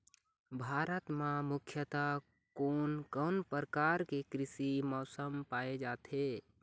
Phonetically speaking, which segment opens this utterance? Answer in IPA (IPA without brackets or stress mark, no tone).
bʱ